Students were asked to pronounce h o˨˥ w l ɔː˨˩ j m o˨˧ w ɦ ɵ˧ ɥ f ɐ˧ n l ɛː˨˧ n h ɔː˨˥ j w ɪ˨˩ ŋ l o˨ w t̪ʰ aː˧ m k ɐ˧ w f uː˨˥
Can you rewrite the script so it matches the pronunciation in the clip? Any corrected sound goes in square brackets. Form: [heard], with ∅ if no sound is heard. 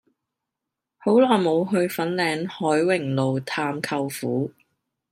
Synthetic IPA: h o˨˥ w l ɔː˨˩ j m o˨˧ w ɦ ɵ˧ ɥ f [ɐ˨˥] n l ɛː˨˧ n h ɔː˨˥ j w ɪ˨˩ ŋ l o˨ w t̪ʰ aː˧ m [kʰ] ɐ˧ w f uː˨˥